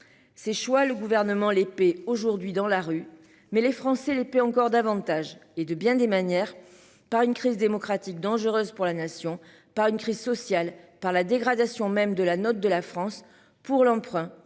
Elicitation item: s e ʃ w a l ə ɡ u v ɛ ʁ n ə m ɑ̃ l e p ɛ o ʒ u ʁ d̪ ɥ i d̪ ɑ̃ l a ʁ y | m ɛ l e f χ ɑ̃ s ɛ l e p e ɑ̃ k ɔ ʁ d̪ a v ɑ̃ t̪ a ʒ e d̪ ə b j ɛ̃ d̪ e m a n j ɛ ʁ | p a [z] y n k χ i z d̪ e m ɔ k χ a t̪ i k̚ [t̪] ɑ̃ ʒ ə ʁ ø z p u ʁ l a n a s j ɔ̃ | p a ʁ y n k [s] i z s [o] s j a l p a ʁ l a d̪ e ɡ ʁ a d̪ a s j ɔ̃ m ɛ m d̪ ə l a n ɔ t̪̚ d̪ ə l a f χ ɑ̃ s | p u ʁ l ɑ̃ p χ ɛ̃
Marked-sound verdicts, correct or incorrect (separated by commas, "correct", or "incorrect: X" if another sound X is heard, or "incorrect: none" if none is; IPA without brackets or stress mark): incorrect: ʁ, incorrect: d̪, incorrect: χ, incorrect: ɔ